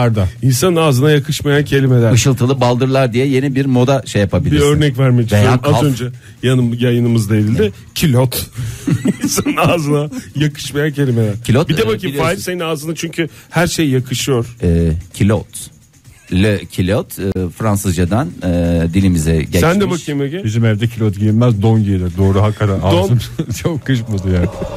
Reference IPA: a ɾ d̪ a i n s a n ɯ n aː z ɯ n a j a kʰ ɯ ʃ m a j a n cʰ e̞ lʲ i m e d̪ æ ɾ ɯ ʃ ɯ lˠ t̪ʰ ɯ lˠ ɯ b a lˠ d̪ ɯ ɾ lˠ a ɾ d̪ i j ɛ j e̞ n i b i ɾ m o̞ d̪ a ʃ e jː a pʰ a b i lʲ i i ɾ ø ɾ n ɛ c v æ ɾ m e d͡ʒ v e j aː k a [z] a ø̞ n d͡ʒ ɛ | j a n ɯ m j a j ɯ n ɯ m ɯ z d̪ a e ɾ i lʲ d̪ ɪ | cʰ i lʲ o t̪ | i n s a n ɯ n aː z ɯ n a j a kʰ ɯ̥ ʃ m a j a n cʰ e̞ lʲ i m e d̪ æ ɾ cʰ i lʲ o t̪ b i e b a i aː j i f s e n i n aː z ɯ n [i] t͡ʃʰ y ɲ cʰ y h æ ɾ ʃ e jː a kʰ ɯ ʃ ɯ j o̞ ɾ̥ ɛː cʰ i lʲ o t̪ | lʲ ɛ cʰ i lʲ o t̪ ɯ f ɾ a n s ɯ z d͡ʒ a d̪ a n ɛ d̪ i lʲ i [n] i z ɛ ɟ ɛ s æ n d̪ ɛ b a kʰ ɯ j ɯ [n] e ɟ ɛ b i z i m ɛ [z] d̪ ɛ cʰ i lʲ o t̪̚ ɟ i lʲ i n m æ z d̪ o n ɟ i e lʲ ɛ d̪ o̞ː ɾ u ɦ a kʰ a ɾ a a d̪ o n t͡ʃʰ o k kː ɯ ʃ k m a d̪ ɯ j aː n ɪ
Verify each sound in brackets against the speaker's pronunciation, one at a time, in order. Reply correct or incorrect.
correct, incorrect, incorrect, incorrect, incorrect

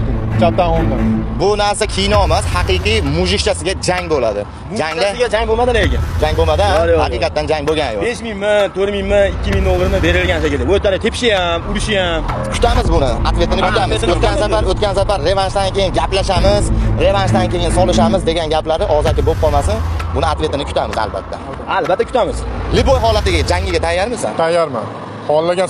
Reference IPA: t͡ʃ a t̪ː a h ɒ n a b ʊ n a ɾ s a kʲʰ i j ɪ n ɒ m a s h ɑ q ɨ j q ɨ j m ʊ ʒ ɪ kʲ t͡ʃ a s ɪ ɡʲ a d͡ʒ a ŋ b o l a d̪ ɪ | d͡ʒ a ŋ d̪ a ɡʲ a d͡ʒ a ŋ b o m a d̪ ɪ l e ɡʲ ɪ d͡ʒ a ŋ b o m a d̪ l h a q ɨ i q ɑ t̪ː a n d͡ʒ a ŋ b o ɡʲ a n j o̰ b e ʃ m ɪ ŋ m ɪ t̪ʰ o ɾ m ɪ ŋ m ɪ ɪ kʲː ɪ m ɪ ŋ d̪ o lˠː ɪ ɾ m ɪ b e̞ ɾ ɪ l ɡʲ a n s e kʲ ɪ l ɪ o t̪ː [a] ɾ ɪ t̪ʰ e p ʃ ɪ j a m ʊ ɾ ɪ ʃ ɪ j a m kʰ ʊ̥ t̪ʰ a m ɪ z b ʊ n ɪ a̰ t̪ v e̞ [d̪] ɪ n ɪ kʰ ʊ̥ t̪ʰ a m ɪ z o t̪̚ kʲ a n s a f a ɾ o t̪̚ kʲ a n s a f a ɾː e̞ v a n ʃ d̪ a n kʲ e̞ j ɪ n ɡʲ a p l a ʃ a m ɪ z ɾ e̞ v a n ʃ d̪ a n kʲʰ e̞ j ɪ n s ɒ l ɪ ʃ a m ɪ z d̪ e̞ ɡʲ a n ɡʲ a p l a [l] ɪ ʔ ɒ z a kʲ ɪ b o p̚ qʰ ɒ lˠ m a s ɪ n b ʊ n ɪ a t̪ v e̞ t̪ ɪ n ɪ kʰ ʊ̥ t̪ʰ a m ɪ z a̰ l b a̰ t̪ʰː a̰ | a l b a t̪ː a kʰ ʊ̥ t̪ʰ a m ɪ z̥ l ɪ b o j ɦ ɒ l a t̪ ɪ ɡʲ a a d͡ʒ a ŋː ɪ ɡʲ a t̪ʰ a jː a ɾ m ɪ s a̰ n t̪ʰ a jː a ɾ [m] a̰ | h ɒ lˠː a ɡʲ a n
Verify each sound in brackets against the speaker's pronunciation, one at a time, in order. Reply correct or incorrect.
correct, incorrect, incorrect, correct

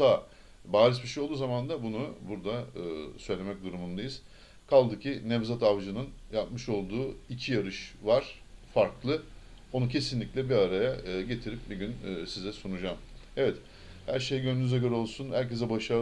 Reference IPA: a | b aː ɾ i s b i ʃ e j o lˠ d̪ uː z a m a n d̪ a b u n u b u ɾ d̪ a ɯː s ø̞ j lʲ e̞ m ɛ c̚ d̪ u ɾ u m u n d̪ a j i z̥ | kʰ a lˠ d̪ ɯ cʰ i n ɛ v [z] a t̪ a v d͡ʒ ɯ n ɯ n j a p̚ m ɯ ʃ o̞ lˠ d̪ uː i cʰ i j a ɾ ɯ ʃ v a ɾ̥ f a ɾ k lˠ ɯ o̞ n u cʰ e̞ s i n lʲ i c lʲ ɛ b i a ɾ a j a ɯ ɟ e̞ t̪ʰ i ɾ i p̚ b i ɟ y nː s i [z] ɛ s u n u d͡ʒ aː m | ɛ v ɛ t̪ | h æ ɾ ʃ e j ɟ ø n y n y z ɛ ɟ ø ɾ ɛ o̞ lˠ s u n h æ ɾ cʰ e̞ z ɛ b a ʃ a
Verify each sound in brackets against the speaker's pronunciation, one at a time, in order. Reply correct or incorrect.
correct, correct

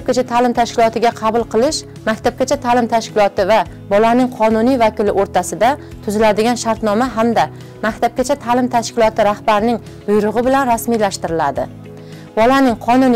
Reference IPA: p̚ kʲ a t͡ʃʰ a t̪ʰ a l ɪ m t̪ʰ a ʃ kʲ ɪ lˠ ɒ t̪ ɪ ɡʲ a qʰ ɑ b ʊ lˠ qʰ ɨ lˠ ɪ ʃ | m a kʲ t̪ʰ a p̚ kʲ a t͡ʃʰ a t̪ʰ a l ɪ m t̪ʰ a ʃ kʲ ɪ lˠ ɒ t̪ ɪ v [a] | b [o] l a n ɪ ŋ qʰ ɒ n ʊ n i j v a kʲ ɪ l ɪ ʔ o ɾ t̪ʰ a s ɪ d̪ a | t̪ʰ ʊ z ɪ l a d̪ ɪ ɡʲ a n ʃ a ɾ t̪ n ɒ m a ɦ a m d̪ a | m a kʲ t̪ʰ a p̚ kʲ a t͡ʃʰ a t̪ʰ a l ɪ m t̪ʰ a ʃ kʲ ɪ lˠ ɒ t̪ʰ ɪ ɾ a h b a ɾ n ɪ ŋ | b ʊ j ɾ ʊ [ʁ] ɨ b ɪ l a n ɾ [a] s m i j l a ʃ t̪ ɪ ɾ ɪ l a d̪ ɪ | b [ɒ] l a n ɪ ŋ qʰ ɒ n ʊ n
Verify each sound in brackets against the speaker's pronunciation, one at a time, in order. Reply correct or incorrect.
correct, incorrect, correct, correct, correct

